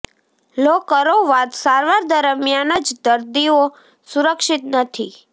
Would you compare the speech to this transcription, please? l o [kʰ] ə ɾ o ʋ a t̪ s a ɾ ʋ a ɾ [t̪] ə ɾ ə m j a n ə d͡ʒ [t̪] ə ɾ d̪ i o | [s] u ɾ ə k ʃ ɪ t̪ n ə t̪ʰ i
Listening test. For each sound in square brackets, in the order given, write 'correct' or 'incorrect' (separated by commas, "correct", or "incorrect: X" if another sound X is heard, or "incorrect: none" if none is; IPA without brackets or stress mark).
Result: incorrect: k, incorrect: d̪, incorrect: d̪, correct